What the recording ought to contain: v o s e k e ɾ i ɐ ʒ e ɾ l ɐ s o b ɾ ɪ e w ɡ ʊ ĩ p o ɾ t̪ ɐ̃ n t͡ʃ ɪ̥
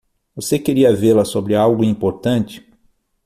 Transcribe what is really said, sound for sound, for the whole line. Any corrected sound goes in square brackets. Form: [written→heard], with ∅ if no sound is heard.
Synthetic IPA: v o s e k e ɾ i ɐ [ʒ→v] e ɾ l ɐ s o b ɾ ɪ [e→a] w ɡ ʊ ĩ p o ɾ t̪ ɐ̃ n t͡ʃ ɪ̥